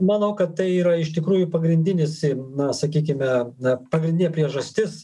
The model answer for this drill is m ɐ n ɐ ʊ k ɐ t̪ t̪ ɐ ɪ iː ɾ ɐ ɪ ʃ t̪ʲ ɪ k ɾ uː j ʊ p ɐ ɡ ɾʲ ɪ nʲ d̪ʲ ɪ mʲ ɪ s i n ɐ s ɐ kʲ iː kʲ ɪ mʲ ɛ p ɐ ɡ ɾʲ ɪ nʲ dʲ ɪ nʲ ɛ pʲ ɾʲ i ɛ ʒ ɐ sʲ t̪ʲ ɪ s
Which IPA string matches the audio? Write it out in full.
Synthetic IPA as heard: m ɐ n ɐ ʊ k ɐ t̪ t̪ ɐ ɪ iː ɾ ɐ ɪ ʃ t̪ʲ ɪ k ɾ uː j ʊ p ɐ ɡ ɾʲ ɪ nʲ d̪ʲ ɪ nʲ ɪ s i n ɐ s ɐ kʲ iː kʲ ɪ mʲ ɛ p ɐ ɡ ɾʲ ɪ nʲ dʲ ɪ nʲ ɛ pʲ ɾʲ i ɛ ʒ ɐ sʲ t̪ʲ ɪ s

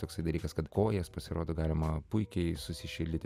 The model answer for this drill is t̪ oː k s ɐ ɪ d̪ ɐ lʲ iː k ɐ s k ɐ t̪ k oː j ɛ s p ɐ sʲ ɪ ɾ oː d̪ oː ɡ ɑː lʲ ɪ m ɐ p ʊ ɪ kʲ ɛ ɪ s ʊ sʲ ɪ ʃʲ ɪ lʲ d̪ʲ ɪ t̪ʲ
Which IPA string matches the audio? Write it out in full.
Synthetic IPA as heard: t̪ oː k s ɐ ɪ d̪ ɐ lʲ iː k ɐ s k ɐ t̪ k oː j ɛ s p ɐ sʲ ɪ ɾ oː d̪ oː ɡ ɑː lʲ ɪ m ɐ p ʊ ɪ kʲ ɛ ɪ s ʊ sʲ ɪ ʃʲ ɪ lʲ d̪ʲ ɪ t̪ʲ

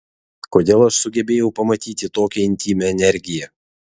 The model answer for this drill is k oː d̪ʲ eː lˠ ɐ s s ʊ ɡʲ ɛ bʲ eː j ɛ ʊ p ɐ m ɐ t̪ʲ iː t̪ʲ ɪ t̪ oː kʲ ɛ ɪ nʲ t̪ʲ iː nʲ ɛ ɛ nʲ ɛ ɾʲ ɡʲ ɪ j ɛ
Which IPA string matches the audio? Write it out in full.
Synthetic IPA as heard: k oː d̪ʲ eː lˠ ɐ ʃ s ʊ ɡʲ ɛ bʲ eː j ɛ ʊ p ɐ m ɐ t̪ʲ iː t̪ʲ ɪ t̪ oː kʲ ɛ ɪ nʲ t̪ʲ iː mʲ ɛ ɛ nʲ ɛ ɾʲ ɡʲ ɪ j ɛ

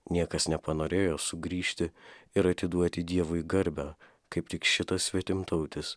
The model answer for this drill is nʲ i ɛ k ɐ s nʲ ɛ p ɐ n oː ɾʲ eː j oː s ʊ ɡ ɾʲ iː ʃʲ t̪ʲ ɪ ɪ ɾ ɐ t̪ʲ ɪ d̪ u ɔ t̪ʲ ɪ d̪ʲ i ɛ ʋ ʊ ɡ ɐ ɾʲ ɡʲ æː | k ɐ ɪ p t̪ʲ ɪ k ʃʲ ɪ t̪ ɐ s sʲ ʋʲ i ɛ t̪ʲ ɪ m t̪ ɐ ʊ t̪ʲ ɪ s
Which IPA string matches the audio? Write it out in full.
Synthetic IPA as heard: nʲ i ɛ k ɐ s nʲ ɛ p ɐ n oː ɾʲ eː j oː s ʊ ɡ ɾʲ iː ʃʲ t̪ʲ ɪ ɪ ɾ ɐ t̪ʲ ɪ d̪ u ɔ t̪ʲ ɪ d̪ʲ i ɛ ʋ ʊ ɡ ɐ ɾʲ bʲ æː | k ɐ ɪ p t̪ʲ ɪ k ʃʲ ɪ t̪ ɐ s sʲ ʋʲ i ɛ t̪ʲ ɪ m t̪ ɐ ʊ t̪ʲ ɪ s

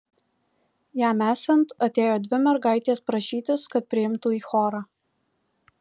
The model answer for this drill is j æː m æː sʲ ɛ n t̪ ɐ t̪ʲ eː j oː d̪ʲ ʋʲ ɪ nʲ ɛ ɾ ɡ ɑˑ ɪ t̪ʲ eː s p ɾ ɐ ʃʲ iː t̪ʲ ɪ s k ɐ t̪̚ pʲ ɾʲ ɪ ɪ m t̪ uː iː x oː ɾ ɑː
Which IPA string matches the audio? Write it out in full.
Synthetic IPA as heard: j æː m æː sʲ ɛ n t̪ ɐ t̪ʲ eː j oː d̪ʲ ʋʲ ɪ mʲ ɛ ɾ ɡ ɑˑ ɪ t̪ʲ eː s p ɾ ɐ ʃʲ iː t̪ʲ ɪ s k ɐ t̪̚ pʲ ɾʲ ɪ ɪ m t̪ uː iː x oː ɾ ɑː

